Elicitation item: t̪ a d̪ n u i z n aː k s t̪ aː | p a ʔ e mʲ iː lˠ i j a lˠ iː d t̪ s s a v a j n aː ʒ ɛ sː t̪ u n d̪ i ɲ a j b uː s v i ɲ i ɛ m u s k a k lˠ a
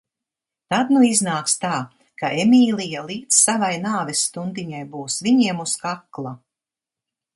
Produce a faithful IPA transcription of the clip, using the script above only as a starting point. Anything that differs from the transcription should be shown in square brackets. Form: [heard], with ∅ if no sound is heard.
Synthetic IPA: t̪ a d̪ n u i z n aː k s t̪ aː | [k] a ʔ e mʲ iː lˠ i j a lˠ iː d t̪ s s a v a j n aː [v] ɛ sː t̪ u n d̪ i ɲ a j b uː s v i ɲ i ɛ m u s k a k lˠ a